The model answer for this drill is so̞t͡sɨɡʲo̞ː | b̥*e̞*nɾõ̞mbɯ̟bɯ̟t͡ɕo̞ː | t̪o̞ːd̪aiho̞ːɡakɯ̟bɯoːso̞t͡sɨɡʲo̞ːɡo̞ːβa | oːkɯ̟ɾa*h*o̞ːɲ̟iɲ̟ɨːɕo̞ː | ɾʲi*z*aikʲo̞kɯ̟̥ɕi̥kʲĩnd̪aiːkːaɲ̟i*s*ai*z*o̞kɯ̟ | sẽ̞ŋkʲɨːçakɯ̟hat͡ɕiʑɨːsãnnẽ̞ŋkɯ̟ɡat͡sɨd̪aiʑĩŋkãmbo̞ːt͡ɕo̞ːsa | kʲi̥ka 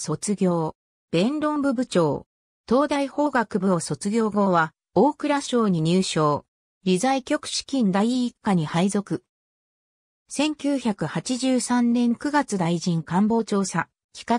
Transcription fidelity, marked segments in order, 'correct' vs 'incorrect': incorrect, incorrect, correct, incorrect, correct

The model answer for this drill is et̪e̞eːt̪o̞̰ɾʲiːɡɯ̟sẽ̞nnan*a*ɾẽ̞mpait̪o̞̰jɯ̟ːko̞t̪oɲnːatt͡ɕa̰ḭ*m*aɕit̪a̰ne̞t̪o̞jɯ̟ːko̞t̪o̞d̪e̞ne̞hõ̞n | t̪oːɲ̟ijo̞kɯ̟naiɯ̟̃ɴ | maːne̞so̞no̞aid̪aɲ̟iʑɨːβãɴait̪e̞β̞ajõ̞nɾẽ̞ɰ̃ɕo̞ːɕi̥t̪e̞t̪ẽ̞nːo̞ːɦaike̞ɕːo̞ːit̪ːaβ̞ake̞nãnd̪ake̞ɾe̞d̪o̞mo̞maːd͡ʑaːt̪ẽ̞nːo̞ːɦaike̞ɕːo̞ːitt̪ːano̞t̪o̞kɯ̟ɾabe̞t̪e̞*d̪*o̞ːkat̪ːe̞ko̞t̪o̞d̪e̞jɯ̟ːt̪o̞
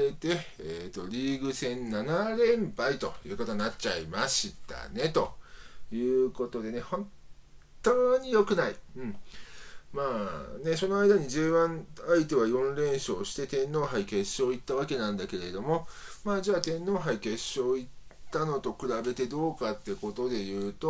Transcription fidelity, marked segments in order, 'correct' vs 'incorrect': correct, correct, correct

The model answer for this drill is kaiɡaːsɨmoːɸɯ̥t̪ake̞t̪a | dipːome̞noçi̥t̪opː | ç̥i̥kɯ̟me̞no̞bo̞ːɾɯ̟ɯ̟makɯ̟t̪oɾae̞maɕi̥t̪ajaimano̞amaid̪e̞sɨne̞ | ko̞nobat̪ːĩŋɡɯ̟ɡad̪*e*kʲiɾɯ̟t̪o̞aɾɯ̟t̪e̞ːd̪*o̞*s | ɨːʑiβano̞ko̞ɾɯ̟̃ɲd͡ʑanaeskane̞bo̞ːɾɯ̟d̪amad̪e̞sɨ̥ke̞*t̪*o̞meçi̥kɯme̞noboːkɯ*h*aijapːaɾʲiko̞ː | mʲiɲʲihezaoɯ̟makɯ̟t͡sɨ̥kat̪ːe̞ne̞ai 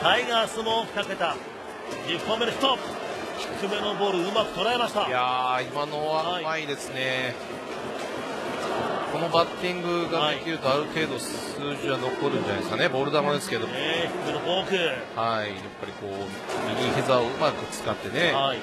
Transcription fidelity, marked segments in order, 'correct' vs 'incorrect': correct, correct, incorrect, correct

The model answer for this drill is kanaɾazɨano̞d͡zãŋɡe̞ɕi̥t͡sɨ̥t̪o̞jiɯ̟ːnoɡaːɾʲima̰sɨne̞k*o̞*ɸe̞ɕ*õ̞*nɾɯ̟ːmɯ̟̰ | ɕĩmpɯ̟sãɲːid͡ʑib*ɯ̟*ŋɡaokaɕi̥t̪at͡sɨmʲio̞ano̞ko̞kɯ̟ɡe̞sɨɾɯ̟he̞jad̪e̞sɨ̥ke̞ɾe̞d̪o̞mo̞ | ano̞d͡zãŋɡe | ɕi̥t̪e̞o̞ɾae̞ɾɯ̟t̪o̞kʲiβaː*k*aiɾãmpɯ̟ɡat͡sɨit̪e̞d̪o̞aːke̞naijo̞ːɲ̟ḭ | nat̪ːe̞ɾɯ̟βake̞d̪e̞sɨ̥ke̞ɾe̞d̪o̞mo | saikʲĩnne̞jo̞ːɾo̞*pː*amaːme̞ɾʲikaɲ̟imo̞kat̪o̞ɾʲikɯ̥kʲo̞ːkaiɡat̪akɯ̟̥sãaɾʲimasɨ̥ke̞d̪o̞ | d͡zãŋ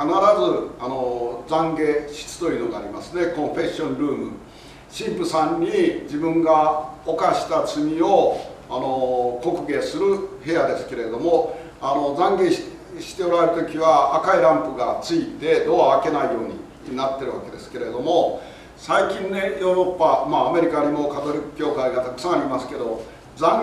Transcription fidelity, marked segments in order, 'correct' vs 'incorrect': incorrect, correct, incorrect, correct, correct

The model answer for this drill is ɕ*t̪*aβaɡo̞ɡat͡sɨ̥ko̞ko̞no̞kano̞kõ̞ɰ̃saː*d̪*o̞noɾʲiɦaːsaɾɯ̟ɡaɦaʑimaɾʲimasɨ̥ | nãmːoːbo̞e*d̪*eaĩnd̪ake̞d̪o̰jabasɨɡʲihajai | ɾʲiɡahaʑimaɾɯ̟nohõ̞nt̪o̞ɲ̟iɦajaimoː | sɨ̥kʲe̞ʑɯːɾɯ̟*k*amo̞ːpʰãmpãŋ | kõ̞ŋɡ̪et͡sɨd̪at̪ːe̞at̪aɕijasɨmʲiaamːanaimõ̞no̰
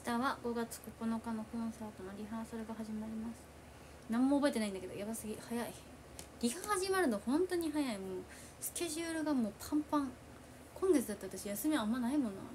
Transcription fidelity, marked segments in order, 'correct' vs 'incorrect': correct, incorrect, incorrect, incorrect

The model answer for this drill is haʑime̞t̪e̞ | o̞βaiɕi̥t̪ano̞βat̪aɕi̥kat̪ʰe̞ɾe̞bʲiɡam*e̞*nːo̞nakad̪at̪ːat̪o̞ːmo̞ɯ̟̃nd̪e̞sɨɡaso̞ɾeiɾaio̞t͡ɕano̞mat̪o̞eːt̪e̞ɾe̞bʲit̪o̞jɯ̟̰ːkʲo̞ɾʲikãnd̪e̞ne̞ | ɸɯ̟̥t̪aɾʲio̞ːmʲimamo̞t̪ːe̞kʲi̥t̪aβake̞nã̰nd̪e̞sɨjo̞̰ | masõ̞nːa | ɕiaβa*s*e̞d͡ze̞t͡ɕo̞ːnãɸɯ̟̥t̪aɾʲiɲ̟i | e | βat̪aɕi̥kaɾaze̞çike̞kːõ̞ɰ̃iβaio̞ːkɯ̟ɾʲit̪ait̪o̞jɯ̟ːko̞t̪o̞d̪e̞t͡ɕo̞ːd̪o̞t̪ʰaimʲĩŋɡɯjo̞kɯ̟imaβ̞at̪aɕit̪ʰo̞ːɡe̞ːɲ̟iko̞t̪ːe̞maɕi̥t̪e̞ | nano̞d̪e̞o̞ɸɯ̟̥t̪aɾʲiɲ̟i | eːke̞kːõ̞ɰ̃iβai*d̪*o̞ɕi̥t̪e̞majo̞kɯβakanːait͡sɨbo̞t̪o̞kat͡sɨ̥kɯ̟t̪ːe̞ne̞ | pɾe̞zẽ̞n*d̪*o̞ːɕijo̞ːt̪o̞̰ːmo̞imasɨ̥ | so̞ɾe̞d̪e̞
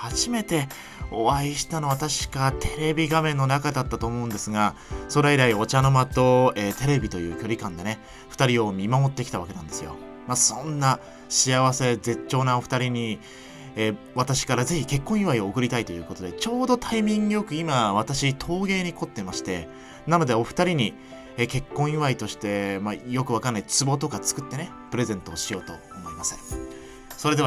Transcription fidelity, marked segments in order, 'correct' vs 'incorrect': incorrect, correct, incorrect, incorrect

